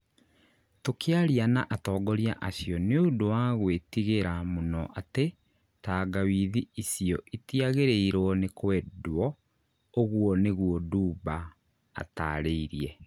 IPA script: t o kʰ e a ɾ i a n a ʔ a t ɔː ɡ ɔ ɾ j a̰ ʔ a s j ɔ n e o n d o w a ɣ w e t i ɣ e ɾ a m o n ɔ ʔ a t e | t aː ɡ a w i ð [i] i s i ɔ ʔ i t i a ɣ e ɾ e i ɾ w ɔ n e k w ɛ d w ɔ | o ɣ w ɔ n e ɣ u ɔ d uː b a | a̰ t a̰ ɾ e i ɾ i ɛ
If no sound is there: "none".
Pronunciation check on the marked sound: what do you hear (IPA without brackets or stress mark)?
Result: i